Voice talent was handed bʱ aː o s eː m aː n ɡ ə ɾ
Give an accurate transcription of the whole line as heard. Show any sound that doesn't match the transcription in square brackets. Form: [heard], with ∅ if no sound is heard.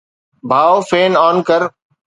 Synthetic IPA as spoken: bʱ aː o [f] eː [n] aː n [k] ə ɾ